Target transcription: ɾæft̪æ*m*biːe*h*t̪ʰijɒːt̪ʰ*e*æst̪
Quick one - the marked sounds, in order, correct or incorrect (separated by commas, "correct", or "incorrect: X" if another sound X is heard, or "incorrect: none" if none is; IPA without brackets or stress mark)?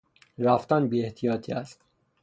incorrect: n, correct, incorrect: i